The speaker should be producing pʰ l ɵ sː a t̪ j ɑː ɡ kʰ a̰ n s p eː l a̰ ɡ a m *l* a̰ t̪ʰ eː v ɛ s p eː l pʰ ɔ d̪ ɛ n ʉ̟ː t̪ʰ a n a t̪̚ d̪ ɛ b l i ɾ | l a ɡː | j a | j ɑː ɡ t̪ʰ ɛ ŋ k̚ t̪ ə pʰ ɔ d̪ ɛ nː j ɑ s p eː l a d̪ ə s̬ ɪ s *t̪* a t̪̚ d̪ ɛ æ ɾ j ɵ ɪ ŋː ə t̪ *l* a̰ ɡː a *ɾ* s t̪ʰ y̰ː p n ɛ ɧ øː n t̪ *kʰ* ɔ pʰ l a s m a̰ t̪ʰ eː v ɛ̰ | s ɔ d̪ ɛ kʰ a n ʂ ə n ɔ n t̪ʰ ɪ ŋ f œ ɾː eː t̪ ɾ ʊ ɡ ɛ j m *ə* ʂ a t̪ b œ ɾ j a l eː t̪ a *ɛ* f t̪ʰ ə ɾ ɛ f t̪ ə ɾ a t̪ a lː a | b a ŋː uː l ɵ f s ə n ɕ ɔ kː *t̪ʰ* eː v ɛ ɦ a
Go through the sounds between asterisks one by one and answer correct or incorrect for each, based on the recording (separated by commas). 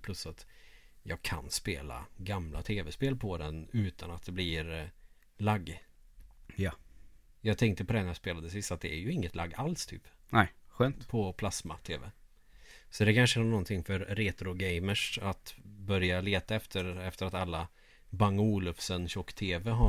correct, correct, correct, incorrect, incorrect, correct, correct, correct